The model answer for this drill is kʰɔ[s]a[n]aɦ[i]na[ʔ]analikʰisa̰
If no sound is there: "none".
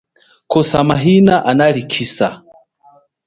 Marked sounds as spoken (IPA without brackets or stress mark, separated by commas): s, m, i, ʔ